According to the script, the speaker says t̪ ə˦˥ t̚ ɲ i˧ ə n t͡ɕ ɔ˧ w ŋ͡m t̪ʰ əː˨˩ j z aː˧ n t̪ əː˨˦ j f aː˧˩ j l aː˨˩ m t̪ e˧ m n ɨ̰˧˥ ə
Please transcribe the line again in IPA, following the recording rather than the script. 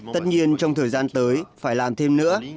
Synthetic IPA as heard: t̪ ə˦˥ t̚ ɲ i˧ ə n t͡ɕ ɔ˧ w ŋ͡m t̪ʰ əː˨˩ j z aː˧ n t̪ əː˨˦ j f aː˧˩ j l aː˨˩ m t̪ʰ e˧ m n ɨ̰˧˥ ə